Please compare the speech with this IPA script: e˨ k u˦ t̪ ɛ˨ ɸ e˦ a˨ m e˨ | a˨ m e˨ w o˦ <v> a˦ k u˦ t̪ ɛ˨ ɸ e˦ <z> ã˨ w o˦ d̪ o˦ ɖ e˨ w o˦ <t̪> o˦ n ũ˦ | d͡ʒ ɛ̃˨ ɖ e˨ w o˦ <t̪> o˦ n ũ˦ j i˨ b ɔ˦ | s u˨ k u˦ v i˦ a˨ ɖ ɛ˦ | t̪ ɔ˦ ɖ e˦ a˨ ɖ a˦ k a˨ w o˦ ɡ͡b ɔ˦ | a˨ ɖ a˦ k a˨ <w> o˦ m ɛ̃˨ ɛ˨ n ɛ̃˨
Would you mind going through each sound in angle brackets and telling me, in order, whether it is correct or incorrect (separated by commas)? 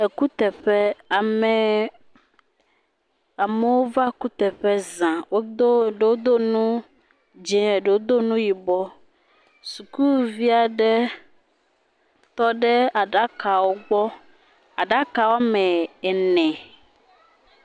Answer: correct, correct, incorrect, incorrect, correct